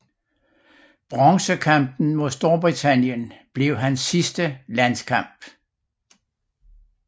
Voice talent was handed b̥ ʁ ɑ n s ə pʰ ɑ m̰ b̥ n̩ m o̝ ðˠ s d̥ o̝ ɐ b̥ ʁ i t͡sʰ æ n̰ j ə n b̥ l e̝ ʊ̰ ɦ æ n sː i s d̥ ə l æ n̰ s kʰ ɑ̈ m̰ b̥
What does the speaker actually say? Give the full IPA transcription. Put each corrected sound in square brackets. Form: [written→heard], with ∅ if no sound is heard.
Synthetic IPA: b̥ ʁ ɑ [n→ŋ] s ə [pʰ→kʰ] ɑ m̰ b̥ n̩ m o̝ ðˠ s d̥ o̝ ɐ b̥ ʁ i t͡sʰ æ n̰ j ə n b̥ l e̝ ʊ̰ ɦ æ n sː i s d̥ ə l æ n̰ s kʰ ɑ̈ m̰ b̥